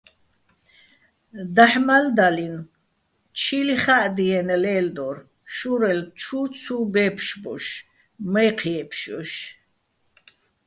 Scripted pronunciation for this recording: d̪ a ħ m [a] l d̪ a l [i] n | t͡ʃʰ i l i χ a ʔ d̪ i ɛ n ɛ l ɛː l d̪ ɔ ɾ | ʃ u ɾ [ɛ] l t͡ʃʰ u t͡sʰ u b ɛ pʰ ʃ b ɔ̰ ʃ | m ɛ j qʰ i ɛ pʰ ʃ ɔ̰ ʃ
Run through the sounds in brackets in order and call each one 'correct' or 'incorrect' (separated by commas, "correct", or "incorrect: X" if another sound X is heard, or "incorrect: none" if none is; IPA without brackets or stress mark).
correct, correct, correct